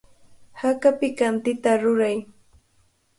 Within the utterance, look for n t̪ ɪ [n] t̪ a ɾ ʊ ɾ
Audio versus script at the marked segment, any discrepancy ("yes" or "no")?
yes